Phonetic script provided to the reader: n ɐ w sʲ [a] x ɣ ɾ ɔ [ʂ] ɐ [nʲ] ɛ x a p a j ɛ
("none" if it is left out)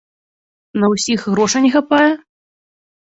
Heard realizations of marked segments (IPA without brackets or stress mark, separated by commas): i, ʂ, nʲ